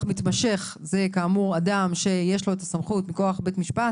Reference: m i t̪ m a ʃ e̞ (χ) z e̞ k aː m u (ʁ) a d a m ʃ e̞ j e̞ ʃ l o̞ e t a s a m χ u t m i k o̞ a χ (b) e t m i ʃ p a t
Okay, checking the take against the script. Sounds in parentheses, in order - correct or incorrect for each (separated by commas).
correct, correct, correct